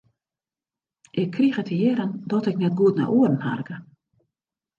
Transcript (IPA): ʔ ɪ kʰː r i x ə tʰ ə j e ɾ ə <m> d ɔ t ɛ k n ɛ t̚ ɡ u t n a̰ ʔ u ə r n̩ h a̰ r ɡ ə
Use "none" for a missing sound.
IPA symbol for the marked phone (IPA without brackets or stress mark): n